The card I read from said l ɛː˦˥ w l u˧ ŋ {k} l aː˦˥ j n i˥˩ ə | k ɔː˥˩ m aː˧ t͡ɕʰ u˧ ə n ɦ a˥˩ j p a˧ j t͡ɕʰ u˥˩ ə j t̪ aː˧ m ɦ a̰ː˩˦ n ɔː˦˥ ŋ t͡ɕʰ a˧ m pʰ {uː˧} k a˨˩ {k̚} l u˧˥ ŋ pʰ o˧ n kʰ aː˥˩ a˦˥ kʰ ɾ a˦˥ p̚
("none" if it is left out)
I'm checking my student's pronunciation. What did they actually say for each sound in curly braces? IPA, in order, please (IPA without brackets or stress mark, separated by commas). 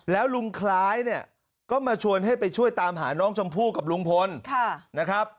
kʰ, uː˥˩, p̚